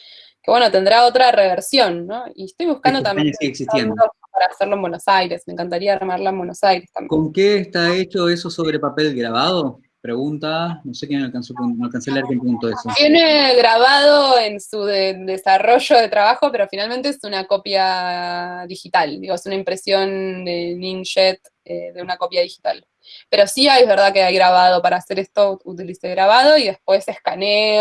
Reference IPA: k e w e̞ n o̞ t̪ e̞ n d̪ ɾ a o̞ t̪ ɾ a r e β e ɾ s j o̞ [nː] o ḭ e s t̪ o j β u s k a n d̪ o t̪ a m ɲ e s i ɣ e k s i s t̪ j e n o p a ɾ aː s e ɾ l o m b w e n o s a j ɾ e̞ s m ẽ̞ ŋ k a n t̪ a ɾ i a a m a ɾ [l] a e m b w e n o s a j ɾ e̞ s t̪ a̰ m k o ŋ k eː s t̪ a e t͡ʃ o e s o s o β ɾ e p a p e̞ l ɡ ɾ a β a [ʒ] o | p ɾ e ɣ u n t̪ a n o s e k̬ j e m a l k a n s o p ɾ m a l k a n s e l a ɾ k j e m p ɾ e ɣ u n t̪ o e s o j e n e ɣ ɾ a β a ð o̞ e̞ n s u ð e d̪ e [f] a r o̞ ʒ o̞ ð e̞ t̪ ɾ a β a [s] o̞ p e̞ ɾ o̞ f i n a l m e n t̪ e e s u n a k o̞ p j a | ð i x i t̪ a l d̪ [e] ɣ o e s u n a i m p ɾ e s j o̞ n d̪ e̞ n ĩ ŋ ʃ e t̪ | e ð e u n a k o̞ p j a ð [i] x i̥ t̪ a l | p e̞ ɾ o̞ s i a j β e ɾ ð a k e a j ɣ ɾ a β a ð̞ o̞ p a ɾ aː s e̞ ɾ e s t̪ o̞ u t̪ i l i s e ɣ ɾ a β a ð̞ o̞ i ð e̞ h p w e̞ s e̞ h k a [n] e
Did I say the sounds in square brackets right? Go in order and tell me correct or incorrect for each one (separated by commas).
correct, correct, incorrect, incorrect, incorrect, incorrect, correct, correct